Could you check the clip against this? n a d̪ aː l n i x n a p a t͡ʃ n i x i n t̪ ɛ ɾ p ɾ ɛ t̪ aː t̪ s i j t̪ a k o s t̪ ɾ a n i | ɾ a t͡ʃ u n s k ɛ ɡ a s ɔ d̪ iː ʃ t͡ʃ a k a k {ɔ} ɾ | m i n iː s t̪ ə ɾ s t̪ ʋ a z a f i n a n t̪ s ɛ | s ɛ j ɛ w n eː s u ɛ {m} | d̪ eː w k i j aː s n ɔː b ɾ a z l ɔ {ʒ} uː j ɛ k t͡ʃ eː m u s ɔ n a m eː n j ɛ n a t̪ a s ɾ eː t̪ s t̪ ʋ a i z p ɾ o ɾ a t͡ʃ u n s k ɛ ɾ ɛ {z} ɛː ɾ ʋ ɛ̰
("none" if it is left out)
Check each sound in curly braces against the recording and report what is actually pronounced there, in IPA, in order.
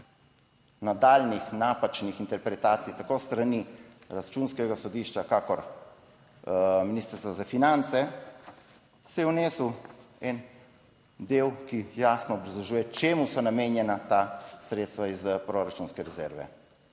ɔ, n, ʒ, z

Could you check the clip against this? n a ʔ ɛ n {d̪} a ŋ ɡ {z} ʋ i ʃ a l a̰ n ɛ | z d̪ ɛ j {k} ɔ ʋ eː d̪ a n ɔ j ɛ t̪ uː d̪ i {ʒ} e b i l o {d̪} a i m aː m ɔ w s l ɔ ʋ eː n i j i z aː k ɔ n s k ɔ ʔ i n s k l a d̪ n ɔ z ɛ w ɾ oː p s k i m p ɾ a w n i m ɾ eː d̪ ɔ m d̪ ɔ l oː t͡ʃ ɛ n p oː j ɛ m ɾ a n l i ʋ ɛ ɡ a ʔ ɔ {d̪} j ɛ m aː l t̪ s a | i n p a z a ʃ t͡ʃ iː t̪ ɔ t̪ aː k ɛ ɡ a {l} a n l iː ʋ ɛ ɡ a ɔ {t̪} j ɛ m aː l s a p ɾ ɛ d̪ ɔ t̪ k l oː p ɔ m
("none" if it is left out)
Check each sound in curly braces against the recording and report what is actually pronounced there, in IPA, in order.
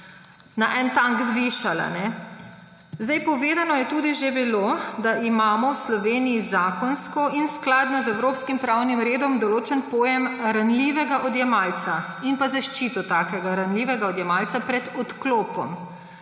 t̪, z, p, ʒ, d̪, d̪, ɾ, d̪

